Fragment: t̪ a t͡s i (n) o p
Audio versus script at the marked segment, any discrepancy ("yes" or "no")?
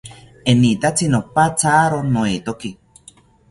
no